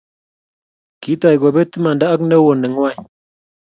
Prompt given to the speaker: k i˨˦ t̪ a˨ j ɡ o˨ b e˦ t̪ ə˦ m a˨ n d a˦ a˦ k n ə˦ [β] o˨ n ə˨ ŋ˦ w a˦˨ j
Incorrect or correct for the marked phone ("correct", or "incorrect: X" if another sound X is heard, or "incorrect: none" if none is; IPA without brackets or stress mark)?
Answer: incorrect: w